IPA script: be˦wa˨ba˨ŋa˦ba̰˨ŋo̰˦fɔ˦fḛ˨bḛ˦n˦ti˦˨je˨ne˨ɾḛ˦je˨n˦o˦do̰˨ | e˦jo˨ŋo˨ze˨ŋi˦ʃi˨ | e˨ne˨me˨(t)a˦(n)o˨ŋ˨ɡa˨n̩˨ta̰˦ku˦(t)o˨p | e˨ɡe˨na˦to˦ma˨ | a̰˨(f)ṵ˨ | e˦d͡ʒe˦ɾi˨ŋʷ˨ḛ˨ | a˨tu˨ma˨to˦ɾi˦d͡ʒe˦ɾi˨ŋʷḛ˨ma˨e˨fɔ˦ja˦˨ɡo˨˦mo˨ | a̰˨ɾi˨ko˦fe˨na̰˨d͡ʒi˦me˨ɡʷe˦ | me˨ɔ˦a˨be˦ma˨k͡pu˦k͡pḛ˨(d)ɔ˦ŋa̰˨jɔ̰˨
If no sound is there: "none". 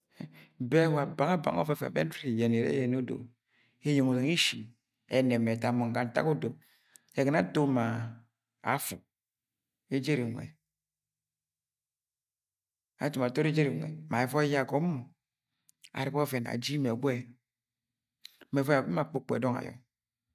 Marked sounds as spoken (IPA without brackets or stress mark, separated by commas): t, m, d, f, d